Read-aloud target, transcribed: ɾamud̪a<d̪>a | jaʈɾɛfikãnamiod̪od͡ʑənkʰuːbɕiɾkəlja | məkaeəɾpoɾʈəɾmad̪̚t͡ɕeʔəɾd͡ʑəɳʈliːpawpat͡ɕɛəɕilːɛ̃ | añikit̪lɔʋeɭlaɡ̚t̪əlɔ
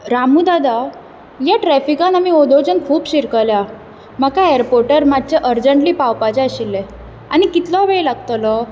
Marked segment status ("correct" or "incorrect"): correct